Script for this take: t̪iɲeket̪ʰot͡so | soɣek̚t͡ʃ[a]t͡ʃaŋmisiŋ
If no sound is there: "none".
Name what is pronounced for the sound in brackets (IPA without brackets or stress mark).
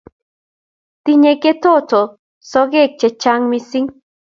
e